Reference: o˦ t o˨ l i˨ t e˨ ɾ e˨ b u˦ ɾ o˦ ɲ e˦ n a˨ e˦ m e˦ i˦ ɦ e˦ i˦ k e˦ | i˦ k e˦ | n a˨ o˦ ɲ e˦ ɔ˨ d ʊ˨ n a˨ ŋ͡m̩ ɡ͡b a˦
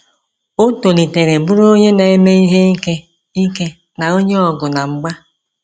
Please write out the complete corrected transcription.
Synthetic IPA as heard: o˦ t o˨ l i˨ t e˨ ɾ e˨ b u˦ ɾ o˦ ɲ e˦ n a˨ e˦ m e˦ i˦ ɦ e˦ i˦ k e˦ | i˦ k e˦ | n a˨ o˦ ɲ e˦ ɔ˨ ɡ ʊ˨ n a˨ ŋ͡m̩ ɡ͡b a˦